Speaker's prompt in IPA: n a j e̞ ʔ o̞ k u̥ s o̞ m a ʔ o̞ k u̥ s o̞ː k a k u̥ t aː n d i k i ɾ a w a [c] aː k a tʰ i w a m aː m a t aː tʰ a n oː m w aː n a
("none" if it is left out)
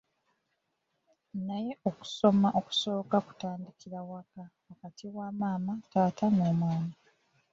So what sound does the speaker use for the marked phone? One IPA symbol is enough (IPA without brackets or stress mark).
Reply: k